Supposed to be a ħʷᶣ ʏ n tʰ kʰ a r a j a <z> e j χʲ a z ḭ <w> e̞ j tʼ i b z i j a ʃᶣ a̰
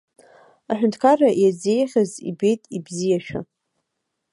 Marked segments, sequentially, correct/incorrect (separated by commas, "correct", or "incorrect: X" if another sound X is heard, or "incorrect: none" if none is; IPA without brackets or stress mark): correct, incorrect: b